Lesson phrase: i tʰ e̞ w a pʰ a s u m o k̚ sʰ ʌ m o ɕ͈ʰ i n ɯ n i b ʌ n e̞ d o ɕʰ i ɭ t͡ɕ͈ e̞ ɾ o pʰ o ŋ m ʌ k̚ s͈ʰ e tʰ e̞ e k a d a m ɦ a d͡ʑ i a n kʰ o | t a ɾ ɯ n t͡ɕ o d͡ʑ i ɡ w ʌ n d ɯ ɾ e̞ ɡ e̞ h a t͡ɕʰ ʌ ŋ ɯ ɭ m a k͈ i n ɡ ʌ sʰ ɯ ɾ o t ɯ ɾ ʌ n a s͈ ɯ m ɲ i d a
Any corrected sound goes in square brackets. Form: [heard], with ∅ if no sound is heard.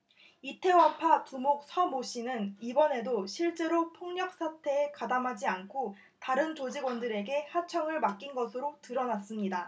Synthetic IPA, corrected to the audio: i tʰ e̞ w a pʰ a [t] u m o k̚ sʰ ʌ m o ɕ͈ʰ i n ɯ n i b ʌ n e̞ d o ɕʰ i ɭ t͡ɕ͈ e̞ ɾ o pʰ o ŋ [ɲ] ʌ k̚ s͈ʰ [a] tʰ e̞ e k a d a m ɦ a d͡ʑ i a n kʰ o | t a ɾ ɯ n t͡ɕ o d͡ʑ i ɡ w ʌ n d ɯ ɾ e̞ ɡ e̞ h a t͡ɕʰ ʌ ŋ ɯ ɭ m a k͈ i n ɡ ʌ sʰ ɯ ɾ o t ɯ ɾ ʌ n a s͈ ɯ m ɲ i d a